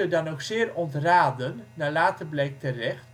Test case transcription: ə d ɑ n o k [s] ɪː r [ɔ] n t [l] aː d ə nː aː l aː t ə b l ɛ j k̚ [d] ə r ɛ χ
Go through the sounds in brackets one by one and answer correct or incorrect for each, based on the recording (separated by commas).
correct, correct, incorrect, incorrect